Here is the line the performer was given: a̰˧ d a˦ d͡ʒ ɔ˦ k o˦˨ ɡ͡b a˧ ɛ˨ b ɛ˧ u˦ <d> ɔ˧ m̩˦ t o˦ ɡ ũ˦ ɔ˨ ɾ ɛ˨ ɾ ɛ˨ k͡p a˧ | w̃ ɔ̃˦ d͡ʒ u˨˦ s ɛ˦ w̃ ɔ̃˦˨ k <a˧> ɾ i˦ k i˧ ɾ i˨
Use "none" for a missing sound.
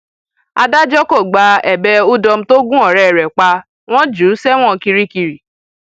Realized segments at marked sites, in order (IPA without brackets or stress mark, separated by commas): d, i˧